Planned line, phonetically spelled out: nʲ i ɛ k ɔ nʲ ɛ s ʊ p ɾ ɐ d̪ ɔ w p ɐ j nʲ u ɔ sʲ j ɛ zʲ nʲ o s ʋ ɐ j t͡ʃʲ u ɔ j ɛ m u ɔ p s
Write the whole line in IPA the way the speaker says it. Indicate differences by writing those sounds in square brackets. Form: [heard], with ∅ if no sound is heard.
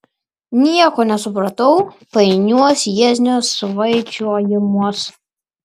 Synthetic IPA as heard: nʲ i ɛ k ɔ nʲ ɛ s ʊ p ɾ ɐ [t̪] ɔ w p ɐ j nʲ u ɔ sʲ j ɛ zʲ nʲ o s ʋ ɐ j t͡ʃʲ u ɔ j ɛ m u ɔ [∅] s